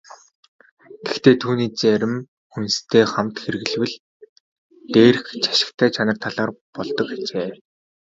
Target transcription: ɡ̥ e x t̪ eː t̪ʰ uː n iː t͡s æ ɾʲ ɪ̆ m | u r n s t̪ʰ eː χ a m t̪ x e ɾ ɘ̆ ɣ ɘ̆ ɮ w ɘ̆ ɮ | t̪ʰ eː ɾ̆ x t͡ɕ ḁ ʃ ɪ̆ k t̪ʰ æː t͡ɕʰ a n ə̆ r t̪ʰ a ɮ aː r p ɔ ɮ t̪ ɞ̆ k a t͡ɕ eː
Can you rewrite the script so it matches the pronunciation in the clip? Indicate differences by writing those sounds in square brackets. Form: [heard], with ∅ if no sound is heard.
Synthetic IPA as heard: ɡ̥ e x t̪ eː t̪ʰ uː n iː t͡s æ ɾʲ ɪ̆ m | u [∅] n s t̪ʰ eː χ a m t̪ x e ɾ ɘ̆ ɣ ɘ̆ ɮ w ɘ̆ ɮ | [t̪] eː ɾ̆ x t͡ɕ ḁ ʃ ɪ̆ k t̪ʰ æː t͡ɕʰ a n ə̆ r t̪ʰ a ɮ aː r p ɔ ɮ t̪ ɞ̆ k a t͡ɕ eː